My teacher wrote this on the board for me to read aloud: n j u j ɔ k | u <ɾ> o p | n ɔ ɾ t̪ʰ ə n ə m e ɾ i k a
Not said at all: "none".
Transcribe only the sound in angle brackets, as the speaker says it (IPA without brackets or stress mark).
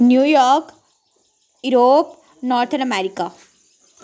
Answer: ɾ